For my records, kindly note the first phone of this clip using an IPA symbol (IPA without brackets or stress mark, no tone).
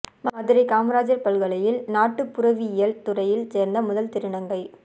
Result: m